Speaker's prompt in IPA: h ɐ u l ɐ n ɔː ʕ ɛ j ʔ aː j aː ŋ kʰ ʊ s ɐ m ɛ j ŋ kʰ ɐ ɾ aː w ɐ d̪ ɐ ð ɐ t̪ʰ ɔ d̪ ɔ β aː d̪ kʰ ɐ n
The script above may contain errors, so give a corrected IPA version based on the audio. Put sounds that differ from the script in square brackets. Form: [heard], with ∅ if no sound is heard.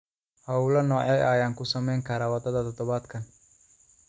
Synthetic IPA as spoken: h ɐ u l ɐ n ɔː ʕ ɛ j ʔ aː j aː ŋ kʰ ʊ s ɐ m ɛ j ŋ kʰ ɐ ɾ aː w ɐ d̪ ɐ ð ɐ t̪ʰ ɔ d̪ ɔ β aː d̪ kʰ ɐ n